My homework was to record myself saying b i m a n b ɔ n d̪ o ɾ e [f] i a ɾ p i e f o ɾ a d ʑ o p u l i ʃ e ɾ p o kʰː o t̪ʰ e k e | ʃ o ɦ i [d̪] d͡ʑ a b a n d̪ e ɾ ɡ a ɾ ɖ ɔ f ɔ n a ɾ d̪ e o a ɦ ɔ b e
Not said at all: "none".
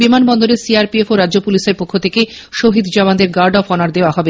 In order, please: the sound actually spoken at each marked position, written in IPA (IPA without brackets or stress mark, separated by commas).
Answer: s, d̪